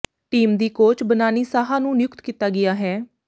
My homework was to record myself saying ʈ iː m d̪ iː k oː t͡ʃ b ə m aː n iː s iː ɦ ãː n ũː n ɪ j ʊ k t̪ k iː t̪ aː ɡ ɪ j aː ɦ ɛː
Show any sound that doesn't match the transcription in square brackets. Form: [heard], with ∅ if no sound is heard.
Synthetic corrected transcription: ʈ iː m d̪ iː k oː t͡ʃ b ə [n] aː n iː s [aː] ɦ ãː n ũː n ɪ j ʊ k t̪ k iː t̪ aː ɡ ɪ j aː ɦ ɛː